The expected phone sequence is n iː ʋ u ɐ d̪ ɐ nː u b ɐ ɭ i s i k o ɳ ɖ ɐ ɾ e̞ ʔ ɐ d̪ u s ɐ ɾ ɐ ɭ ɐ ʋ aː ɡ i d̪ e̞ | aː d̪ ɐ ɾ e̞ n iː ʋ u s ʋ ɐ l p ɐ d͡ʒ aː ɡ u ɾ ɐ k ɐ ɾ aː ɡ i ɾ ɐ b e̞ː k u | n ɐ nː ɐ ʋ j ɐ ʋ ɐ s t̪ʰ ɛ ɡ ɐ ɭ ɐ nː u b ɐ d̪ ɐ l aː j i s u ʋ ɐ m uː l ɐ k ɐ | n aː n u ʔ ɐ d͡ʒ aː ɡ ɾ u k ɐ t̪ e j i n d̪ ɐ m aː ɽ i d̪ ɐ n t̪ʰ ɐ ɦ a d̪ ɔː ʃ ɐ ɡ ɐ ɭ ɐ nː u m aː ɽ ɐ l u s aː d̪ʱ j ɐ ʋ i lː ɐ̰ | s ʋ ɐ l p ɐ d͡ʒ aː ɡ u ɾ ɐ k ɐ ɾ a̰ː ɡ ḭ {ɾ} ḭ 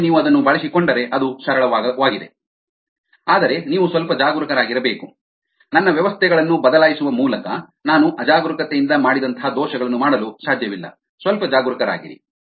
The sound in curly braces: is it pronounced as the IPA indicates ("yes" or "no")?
yes